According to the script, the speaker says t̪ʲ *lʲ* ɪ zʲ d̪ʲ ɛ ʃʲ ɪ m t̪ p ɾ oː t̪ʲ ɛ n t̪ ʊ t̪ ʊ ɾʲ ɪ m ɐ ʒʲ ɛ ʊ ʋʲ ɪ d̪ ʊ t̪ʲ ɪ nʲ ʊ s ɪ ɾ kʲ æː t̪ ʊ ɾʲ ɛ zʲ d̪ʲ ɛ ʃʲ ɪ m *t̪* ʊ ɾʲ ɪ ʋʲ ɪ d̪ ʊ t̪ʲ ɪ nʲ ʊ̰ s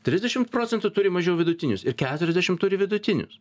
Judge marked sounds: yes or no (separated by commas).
no, yes